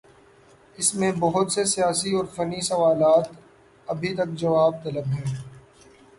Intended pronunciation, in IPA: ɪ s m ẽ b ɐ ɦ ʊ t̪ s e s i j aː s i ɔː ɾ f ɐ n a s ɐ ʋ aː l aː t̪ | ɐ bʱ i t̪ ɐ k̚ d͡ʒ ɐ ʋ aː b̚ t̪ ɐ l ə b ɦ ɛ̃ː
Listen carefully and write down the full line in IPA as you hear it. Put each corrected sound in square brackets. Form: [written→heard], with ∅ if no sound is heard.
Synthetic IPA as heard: ɪ s m ẽ b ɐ ɦ ʊ t̪ s e s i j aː s i ɔː ɾ f ɐ n [a→i] s ɐ ʋ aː l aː t̪ | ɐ bʱ i t̪ ɐ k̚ d͡ʒ ɐ ʋ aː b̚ t̪ ɐ l ə b ɦ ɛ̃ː